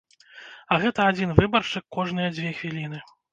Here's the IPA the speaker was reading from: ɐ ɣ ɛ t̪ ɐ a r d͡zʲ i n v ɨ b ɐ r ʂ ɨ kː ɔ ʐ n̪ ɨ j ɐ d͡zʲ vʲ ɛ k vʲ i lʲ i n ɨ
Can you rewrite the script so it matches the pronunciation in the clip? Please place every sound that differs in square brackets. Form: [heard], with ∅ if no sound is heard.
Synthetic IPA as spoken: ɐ ɣ ɛ t̪ ɐ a [∅] d͡zʲ i n v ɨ b ɐ r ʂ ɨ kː ɔ ʐ n̪ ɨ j ɐ d͡zʲ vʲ ɛ [x] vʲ i lʲ i n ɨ